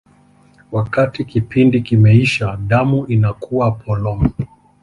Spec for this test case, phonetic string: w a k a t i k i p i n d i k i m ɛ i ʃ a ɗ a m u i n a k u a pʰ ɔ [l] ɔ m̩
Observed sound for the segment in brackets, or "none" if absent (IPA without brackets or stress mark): l